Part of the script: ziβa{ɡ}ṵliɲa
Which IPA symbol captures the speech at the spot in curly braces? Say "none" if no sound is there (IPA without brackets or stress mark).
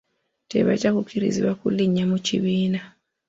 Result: k